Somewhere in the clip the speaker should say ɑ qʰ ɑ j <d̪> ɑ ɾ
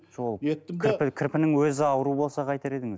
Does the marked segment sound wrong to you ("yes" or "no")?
yes